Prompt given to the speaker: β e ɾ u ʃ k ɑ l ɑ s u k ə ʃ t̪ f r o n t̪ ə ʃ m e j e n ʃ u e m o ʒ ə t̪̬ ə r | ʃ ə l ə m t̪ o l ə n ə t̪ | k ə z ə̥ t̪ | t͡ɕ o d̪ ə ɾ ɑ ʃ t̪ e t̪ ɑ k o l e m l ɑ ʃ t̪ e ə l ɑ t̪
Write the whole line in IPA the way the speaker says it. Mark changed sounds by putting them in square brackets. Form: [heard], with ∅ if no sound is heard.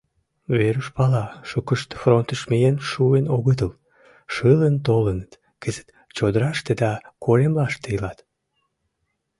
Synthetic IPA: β e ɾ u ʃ [p] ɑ l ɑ [ʃ] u k ə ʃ t̪ f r o n t̪ ə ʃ m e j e n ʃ u e [n] o [ɣ] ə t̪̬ ə [l] | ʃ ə l ə [n] t̪ o l ə n ə t̪ | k ə z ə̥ t̪ | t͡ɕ o d̪ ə ɾ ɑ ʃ t̪ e [d̪] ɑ k o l e m l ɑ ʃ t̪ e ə l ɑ t̪